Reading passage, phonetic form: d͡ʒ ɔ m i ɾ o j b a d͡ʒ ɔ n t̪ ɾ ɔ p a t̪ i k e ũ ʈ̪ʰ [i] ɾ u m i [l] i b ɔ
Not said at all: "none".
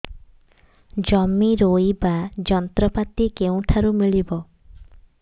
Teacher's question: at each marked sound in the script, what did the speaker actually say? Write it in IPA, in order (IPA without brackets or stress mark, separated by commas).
a, ɭ